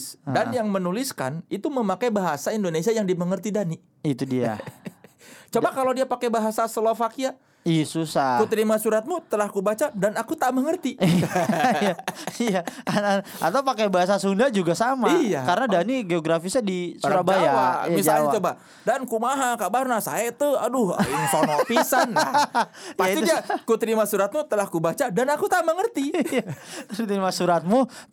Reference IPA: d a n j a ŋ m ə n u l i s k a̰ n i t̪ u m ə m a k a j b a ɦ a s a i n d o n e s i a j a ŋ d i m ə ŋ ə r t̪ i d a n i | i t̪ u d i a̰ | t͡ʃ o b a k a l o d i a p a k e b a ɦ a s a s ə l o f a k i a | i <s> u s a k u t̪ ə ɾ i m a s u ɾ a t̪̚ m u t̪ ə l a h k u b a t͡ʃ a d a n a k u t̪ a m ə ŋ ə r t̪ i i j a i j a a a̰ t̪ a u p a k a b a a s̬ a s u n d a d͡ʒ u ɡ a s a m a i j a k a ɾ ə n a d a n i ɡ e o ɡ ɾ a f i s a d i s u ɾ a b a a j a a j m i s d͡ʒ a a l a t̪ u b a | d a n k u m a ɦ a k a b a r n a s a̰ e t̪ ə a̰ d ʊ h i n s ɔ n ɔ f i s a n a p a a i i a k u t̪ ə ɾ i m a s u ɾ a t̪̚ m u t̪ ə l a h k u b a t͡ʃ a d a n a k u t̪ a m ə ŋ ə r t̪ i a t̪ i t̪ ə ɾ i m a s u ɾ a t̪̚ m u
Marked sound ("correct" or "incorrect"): correct